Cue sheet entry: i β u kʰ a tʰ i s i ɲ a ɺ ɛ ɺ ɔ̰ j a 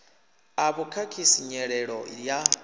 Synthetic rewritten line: a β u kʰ a kʰ i s i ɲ ɛ ɺ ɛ ɺ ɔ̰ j a